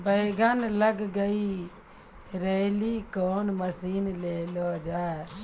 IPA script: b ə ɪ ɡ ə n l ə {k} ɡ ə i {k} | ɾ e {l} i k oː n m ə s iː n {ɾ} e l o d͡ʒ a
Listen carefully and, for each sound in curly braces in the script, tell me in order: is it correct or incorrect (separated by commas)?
incorrect, incorrect, correct, incorrect